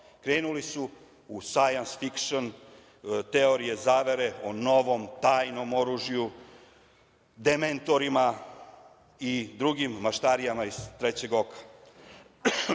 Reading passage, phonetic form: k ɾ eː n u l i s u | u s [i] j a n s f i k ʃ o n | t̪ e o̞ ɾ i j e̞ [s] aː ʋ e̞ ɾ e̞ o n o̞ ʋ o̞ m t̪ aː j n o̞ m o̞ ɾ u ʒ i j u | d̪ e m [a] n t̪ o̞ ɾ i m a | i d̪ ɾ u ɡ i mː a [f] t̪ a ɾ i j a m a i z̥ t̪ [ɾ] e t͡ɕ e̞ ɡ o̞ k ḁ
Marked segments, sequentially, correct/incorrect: incorrect: a, incorrect: z, incorrect: e, incorrect: ʃ, correct

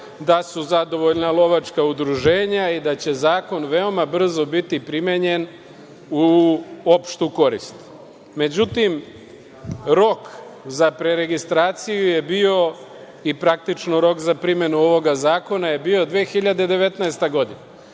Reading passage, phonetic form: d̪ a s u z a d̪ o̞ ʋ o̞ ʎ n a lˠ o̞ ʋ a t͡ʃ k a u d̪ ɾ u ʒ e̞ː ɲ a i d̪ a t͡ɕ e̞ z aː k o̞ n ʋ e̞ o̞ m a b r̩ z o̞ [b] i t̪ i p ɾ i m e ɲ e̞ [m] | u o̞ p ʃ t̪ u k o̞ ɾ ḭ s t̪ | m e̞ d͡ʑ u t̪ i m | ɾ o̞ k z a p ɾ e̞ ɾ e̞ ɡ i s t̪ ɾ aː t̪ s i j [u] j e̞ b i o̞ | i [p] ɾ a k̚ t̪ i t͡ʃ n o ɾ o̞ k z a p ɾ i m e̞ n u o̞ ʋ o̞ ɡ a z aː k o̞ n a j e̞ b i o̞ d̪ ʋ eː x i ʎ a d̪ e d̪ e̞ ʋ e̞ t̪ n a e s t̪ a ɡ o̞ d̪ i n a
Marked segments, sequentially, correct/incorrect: correct, incorrect: n, correct, correct

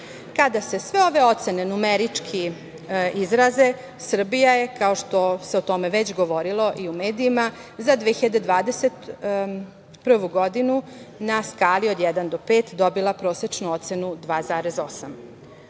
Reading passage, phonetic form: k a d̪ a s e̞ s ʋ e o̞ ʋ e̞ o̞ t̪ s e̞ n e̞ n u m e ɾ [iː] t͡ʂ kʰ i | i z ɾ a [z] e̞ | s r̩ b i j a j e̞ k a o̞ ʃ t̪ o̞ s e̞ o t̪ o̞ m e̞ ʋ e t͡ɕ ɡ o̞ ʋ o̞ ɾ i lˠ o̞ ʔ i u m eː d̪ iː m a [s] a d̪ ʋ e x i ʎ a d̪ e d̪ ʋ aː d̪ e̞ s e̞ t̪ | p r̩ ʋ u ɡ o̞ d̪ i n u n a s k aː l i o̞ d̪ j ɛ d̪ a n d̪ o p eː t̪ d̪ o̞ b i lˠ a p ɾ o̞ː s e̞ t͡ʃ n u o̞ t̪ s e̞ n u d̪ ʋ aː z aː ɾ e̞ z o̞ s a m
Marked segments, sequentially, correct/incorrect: incorrect: i, correct, incorrect: z

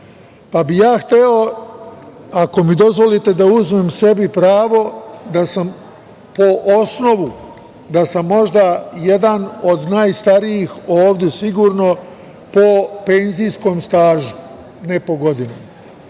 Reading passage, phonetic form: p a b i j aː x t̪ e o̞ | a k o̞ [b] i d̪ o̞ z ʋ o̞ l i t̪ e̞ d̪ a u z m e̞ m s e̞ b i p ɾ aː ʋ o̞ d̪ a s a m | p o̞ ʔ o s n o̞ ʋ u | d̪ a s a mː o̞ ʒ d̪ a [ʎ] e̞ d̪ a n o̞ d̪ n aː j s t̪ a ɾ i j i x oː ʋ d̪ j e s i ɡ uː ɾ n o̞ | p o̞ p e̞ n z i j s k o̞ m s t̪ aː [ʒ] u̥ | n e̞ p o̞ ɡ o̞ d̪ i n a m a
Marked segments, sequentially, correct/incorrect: incorrect: m, incorrect: j, correct

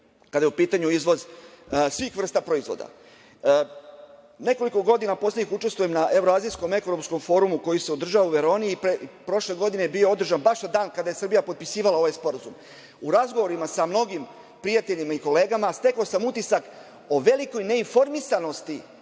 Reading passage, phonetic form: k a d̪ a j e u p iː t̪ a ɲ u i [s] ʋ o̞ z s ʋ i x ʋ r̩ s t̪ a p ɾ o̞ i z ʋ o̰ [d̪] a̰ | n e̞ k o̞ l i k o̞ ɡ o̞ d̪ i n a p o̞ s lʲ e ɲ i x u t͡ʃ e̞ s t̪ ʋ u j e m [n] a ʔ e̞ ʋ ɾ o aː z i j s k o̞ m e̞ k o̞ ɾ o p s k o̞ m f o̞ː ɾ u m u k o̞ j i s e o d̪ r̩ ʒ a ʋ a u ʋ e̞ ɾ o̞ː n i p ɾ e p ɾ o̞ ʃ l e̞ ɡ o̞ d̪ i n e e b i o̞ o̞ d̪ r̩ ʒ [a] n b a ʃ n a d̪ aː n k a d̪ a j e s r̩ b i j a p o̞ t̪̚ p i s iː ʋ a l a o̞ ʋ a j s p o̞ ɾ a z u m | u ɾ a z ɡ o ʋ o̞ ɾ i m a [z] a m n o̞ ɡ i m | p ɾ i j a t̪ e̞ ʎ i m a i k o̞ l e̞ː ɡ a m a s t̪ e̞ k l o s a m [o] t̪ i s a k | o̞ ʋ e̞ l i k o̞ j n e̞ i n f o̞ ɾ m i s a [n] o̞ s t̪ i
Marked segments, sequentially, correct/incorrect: incorrect: z, correct, correct, correct, incorrect: s, incorrect: u, correct

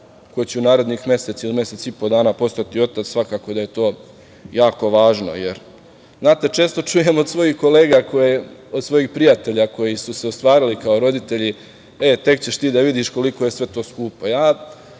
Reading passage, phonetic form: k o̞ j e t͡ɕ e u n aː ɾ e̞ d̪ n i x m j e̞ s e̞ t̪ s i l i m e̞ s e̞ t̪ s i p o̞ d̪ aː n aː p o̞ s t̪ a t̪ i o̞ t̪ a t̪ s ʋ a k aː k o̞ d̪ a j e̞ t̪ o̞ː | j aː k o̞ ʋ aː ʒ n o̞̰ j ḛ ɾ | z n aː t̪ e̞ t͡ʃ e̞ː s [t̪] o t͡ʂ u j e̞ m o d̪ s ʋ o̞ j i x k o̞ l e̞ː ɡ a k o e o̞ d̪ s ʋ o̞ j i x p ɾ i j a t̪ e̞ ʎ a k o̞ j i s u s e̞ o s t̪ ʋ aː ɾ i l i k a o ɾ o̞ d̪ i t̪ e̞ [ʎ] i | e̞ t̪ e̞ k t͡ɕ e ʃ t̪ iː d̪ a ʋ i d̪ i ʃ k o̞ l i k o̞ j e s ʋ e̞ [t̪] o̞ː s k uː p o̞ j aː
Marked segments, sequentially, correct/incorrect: correct, correct, correct

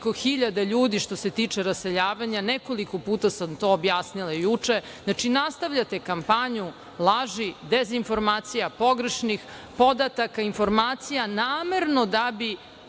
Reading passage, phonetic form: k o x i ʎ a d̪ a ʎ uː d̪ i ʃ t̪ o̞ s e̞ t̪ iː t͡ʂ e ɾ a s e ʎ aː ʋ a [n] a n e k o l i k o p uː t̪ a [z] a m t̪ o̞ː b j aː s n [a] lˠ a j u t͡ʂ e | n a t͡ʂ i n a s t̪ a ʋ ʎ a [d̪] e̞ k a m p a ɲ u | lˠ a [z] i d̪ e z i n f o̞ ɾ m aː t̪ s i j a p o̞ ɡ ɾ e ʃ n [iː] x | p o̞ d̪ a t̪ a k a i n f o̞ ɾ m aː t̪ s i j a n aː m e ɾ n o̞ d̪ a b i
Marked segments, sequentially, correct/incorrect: incorrect: ɲ, incorrect: s, incorrect: i, incorrect: t̪, incorrect: ʒ, incorrect: i

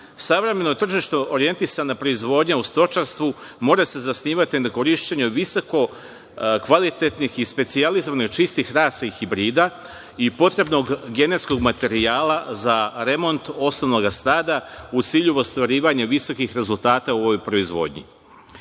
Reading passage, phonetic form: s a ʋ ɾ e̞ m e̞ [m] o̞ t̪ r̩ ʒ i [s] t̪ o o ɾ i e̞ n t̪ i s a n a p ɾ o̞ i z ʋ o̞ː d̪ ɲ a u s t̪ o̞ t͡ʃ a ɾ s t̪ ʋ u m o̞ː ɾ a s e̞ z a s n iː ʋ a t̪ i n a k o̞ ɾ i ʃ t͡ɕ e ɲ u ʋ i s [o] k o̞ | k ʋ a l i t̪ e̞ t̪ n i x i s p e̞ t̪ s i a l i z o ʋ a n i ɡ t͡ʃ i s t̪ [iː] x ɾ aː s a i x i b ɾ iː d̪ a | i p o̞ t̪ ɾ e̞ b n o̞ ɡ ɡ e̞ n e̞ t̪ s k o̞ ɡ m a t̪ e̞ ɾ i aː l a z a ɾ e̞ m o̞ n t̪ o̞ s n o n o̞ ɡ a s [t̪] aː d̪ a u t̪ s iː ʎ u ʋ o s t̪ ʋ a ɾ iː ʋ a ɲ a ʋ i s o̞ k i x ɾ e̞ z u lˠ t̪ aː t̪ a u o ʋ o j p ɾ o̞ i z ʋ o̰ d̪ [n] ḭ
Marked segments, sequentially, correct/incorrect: incorrect: n, incorrect: ʃ, correct, incorrect: i, correct, incorrect: ɲ

